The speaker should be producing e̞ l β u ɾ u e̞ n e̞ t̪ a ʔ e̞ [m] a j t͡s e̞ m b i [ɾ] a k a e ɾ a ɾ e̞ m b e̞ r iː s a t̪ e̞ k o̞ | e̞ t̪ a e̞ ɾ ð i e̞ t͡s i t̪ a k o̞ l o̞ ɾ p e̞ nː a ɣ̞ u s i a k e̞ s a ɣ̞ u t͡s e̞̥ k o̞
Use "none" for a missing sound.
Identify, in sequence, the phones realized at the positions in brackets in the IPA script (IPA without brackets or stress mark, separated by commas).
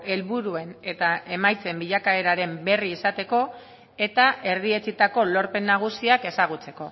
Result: m, ʎ